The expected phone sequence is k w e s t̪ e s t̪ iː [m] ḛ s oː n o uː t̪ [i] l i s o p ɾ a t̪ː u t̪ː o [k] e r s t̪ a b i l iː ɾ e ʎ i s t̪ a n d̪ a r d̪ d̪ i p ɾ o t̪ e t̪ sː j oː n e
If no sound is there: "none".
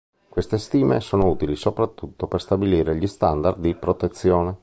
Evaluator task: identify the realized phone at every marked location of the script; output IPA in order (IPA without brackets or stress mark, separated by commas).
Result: m, i, p